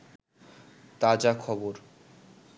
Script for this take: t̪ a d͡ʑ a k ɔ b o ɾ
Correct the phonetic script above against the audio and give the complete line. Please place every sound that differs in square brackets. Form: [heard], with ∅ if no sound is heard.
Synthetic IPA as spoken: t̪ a d͡ʑ a [kʰ] ɔ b o ɾ